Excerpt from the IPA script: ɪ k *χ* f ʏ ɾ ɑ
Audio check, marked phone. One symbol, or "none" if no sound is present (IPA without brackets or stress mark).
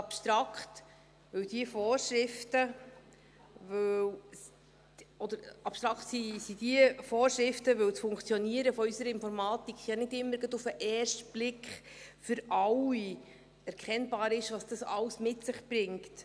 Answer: χ